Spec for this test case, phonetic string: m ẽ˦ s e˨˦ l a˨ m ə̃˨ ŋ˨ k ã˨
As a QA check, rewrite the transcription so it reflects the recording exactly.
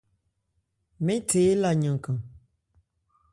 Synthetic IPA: m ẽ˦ t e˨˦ l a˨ ɲ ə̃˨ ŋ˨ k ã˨